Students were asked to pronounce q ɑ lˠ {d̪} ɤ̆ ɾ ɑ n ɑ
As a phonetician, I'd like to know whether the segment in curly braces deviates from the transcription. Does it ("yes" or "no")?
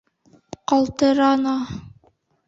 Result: yes